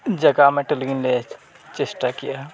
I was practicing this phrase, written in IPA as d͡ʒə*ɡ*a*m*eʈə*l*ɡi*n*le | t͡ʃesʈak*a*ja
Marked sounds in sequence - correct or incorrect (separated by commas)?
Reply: correct, correct, correct, correct, incorrect